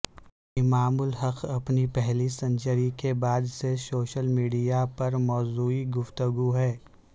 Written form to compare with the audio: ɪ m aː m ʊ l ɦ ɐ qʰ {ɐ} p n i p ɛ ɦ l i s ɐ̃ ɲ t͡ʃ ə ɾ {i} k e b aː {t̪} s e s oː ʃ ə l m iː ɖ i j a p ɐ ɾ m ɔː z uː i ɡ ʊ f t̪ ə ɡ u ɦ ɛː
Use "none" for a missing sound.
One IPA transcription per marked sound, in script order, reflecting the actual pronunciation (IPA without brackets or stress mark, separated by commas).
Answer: ɐ, i, d̪